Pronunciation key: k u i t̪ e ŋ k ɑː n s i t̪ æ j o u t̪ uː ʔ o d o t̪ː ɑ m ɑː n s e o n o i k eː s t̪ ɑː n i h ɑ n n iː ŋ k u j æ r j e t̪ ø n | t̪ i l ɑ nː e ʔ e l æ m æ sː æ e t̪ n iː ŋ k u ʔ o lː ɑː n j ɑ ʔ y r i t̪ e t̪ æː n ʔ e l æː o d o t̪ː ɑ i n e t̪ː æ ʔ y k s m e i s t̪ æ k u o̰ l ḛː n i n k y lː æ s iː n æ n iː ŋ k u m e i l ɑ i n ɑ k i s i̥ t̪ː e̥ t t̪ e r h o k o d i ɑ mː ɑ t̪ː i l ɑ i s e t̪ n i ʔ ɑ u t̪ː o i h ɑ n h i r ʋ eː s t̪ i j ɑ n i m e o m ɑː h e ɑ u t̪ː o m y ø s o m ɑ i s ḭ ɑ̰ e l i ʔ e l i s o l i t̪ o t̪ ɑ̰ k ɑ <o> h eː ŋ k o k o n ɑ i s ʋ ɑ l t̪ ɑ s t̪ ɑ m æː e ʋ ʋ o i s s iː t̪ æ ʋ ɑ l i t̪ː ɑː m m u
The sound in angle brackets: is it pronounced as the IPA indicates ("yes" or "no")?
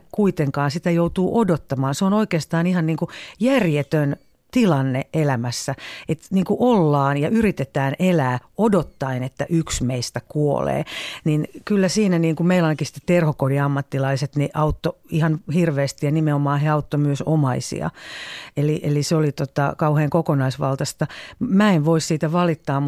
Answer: no